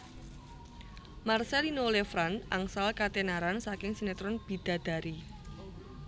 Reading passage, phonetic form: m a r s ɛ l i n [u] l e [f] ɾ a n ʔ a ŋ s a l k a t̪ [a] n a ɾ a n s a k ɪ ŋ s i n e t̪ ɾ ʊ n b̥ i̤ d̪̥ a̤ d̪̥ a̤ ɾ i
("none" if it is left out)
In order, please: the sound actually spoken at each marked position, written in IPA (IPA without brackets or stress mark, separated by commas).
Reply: o, f, e